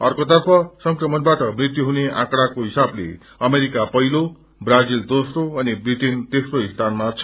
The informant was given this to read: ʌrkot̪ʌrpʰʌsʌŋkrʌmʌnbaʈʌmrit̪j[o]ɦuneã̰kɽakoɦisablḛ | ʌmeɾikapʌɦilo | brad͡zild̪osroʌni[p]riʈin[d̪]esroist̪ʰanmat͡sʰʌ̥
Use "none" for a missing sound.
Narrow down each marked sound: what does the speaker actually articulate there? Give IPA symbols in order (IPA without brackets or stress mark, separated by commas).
u, b, t̪